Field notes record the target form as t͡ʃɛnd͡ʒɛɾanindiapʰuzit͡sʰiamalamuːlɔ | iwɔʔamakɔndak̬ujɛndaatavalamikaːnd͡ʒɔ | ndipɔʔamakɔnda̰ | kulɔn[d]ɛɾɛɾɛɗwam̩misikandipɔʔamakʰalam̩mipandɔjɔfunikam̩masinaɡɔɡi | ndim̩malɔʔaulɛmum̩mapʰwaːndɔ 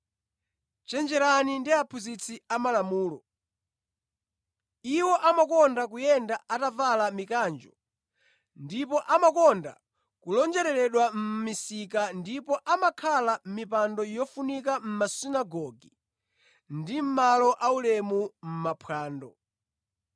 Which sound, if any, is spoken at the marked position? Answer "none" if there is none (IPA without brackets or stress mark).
d͡ʒ